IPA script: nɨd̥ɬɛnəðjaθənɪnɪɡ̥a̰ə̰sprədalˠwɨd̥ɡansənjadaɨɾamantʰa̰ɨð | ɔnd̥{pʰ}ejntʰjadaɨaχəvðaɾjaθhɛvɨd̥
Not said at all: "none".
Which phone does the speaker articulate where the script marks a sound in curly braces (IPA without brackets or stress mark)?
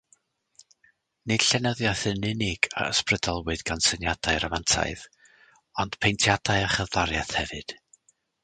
pʰ